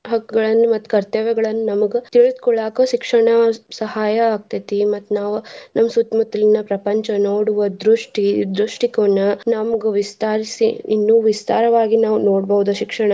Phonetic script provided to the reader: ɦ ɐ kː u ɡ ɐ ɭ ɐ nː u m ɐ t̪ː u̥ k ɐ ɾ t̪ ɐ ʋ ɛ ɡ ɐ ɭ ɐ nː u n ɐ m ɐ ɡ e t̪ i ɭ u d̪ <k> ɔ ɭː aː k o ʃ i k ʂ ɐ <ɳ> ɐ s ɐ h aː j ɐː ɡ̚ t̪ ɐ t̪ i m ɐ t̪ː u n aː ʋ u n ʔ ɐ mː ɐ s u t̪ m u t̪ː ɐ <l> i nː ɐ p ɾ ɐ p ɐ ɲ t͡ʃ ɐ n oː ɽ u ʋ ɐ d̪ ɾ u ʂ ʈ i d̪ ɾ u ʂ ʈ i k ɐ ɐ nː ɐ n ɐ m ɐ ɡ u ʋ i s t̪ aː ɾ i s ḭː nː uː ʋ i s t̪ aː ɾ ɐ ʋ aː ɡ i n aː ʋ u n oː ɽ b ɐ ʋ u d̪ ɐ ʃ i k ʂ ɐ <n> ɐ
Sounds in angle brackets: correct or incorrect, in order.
correct, correct, correct, incorrect

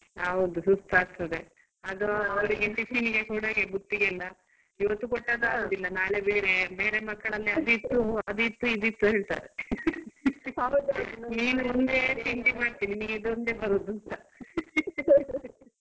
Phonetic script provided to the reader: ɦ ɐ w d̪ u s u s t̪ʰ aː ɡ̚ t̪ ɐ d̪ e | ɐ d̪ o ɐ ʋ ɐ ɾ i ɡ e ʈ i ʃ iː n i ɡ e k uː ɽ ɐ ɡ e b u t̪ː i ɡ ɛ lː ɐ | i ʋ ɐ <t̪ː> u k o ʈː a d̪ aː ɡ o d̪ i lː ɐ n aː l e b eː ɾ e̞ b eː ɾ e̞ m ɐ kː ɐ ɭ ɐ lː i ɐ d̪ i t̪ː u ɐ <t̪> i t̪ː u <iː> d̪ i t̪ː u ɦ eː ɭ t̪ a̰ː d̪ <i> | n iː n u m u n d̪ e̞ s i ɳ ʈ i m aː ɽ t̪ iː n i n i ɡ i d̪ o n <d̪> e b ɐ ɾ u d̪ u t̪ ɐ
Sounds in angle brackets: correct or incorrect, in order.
correct, incorrect, incorrect, incorrect, correct

